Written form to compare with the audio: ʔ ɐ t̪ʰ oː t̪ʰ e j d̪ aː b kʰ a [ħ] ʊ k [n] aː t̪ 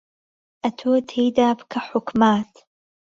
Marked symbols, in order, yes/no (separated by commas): yes, no